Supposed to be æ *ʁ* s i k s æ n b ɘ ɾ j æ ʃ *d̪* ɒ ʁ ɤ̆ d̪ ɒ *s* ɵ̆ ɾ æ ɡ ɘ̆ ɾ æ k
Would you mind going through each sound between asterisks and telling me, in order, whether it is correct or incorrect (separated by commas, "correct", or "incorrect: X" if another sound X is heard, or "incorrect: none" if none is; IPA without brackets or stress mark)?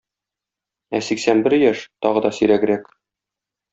incorrect: none, incorrect: t̪, correct